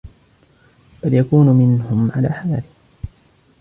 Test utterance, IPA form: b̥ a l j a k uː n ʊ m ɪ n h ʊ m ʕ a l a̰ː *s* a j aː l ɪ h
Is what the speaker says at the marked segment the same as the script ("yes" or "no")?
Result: no